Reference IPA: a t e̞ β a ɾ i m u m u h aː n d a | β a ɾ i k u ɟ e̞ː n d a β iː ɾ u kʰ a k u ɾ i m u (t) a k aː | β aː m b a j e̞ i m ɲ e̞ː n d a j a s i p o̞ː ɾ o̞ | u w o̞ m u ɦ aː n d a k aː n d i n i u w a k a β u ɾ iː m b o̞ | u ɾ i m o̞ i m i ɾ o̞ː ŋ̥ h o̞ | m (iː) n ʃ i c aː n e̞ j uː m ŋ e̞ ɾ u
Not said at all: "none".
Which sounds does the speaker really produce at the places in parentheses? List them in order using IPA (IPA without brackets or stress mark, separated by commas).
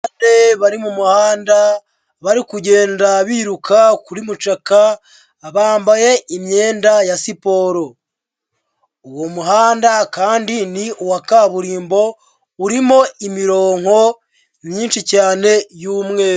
t͡ʃ, iː